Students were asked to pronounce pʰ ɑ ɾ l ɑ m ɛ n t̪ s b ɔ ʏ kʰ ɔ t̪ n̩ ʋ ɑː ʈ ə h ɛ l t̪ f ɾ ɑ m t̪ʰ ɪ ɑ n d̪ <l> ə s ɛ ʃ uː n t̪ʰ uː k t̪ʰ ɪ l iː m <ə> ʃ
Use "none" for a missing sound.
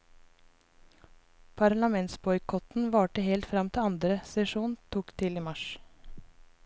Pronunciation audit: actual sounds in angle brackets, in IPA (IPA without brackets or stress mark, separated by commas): ɾ, ɑ